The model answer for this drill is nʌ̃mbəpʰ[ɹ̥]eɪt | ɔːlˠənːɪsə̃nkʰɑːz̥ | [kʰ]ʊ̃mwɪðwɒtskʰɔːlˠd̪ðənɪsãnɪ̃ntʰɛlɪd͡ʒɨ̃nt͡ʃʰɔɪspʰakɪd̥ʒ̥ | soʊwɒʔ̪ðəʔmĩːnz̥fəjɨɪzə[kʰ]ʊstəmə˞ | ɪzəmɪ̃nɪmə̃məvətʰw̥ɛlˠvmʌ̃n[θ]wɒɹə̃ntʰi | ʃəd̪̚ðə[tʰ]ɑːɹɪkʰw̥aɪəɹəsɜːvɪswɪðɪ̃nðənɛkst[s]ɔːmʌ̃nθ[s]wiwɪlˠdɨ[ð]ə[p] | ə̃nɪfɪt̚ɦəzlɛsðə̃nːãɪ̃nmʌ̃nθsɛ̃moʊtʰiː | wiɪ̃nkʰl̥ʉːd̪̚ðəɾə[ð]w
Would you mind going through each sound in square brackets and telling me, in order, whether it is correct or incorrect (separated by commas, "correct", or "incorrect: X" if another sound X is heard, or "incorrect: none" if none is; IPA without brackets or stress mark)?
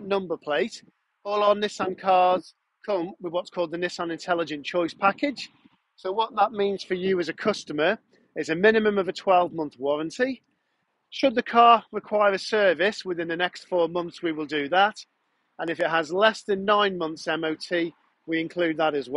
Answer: incorrect: l̥, correct, correct, correct, incorrect: kʰ, incorrect: f, correct, correct, incorrect: t, incorrect: z